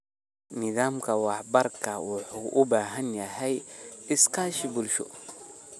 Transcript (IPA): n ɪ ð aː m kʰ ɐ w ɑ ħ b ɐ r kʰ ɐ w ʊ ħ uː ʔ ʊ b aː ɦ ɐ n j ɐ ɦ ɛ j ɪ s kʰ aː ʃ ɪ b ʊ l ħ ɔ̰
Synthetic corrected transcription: n ɪ ð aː m kʰ ɐ w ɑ ħ b ɐ r kʰ ɐ w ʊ ħ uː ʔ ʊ b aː ɦ ɐ n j ɐ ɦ ɛ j ɪ s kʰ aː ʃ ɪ b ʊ l ʃ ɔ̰